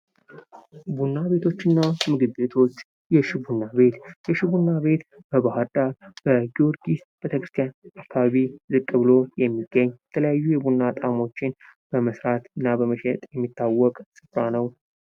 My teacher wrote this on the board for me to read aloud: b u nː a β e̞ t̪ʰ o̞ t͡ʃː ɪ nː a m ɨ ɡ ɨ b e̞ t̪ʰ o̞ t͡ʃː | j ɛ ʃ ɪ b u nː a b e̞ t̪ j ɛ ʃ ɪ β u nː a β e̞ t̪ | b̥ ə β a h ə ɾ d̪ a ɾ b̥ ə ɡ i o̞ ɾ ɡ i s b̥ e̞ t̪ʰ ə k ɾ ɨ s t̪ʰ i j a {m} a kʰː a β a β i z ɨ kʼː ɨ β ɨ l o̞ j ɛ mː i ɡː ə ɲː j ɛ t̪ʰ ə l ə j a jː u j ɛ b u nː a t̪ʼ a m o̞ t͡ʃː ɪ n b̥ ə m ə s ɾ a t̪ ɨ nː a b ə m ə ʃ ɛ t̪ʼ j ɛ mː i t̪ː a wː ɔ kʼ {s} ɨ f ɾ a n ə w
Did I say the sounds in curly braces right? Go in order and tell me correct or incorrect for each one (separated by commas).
incorrect, correct